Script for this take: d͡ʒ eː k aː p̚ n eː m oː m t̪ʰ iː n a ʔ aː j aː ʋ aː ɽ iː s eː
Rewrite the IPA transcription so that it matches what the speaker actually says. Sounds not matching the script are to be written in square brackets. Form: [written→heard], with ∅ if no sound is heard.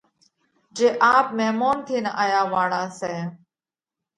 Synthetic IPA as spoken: d͡ʒ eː [k→ʔ] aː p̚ [n→m] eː m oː [m→n] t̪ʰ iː n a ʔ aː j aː ʋ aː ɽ [iː→aː] s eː